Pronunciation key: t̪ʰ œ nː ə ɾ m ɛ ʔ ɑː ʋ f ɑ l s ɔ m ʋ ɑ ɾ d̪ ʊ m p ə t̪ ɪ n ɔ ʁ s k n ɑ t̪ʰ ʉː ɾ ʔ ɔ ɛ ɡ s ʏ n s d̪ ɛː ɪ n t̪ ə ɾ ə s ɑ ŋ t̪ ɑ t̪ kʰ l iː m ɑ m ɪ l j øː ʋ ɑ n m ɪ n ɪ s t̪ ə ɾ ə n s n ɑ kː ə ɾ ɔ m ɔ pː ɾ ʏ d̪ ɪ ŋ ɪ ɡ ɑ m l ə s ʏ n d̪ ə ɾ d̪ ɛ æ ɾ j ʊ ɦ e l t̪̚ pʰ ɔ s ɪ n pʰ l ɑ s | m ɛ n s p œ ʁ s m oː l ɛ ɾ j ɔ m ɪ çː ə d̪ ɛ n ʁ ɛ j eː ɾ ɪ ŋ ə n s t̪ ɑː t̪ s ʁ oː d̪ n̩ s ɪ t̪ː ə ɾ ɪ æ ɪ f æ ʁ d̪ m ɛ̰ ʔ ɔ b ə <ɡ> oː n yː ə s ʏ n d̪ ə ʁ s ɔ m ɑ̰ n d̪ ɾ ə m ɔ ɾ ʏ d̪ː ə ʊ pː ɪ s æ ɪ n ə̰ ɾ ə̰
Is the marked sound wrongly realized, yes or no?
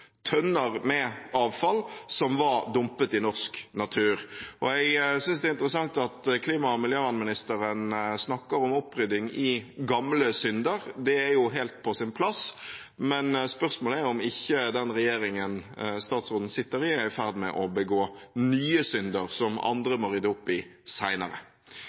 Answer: no